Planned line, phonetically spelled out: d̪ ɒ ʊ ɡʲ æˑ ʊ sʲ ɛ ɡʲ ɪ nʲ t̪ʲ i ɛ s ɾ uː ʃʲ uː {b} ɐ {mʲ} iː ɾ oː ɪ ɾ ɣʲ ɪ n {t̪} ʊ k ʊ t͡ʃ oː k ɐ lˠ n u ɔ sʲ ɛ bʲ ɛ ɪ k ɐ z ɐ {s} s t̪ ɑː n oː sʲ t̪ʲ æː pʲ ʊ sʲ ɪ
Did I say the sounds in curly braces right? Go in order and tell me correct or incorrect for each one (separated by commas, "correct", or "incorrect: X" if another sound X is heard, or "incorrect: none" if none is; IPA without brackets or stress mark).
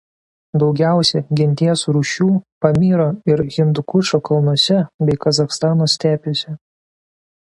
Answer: incorrect: p, correct, incorrect: d̪, incorrect: x